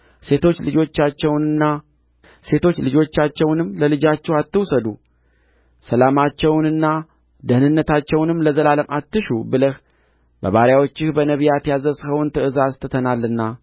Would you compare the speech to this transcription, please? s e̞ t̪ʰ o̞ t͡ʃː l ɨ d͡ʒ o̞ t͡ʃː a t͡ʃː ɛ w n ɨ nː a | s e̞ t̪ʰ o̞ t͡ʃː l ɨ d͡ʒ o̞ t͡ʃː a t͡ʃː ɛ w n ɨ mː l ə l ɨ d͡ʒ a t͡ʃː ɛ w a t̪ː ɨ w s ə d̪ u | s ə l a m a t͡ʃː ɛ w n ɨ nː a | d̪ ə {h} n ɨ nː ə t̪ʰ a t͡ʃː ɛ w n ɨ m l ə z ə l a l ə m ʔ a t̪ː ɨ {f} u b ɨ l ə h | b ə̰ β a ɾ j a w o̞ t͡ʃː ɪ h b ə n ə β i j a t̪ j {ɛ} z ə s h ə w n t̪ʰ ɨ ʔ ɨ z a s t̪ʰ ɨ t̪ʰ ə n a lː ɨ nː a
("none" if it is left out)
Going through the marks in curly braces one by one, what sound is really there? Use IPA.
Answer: h, ʃ, a

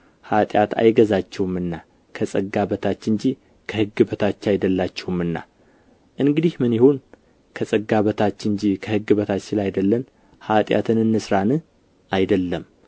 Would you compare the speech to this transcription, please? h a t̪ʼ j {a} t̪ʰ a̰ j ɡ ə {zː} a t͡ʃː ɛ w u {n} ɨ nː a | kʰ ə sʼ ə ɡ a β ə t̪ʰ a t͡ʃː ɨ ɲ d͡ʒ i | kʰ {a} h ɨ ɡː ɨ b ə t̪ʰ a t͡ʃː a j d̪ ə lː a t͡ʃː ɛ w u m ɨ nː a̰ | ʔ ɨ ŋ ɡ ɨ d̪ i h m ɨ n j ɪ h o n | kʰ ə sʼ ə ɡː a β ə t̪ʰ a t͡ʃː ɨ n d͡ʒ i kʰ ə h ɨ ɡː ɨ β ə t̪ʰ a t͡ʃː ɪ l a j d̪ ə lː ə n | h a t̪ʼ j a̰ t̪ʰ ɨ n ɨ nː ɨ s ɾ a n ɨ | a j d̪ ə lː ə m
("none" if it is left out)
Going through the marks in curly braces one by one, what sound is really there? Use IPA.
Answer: a, z, m, ə

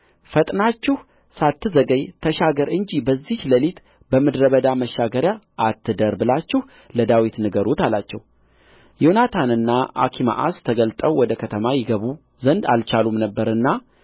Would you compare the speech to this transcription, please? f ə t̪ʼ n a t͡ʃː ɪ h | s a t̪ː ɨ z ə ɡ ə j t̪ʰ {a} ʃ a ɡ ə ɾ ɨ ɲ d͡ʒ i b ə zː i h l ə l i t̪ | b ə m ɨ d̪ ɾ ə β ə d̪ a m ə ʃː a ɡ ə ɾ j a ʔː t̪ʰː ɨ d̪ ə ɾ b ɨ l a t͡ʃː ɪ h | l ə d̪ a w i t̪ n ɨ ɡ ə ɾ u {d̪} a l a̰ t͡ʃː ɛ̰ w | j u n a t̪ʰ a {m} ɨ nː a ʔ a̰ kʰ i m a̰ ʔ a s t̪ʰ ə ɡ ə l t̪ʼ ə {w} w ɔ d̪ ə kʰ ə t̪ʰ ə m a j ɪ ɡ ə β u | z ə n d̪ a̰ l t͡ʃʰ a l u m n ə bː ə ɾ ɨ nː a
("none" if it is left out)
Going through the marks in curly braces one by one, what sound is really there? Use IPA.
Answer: ə, t̪, n, w

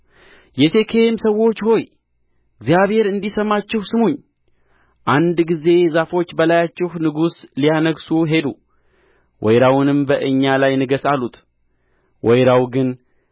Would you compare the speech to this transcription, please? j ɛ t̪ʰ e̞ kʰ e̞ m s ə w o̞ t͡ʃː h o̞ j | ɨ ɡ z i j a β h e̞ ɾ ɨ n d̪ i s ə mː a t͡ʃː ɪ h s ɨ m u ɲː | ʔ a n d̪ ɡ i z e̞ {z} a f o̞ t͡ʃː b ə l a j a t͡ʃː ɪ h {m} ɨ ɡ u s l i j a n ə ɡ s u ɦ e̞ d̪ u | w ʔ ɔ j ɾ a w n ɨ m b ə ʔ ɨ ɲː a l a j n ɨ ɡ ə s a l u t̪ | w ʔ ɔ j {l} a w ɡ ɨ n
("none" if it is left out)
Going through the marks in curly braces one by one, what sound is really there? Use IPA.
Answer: z, n, ɾ

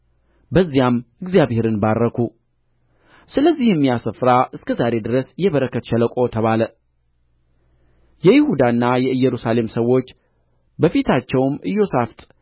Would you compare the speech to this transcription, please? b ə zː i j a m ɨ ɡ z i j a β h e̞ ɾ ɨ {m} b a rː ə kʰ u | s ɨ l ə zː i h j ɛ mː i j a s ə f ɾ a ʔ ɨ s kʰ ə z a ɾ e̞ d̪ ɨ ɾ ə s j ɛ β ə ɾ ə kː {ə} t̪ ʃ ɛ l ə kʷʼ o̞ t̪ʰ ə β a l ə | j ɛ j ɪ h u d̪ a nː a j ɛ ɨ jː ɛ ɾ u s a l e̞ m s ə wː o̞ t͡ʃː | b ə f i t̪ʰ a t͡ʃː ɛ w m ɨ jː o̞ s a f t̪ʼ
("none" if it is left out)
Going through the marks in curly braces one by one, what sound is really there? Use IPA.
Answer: n, ə

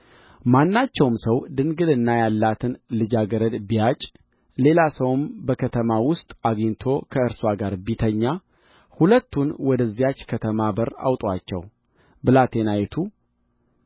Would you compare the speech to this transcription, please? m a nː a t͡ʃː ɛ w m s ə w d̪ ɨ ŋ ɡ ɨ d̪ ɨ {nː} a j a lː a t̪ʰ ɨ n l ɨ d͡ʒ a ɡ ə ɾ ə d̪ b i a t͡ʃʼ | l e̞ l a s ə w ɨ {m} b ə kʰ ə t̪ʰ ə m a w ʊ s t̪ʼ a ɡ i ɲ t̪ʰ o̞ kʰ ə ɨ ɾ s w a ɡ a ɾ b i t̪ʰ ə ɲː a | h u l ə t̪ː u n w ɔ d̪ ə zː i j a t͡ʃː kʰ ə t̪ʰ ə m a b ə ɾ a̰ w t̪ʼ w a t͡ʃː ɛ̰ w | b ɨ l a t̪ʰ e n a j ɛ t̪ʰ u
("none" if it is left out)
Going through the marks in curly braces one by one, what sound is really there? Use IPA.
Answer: nː, m

